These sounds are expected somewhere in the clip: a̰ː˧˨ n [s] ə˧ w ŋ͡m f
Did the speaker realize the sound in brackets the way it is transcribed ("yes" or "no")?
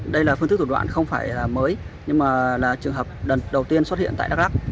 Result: no